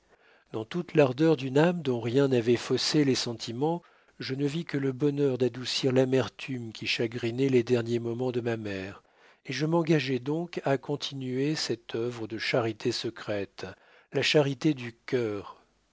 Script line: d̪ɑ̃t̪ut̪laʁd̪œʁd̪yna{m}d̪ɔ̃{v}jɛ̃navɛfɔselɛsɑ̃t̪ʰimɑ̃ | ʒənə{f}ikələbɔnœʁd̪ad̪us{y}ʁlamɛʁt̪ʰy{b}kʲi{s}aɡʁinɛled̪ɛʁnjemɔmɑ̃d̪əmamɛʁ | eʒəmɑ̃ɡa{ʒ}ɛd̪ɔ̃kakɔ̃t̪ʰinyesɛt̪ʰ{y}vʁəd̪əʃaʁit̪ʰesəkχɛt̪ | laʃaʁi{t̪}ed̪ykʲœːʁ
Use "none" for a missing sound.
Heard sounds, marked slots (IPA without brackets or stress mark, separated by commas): m, ʁ, v, i, m, ʃ, ʒ, œ, t̪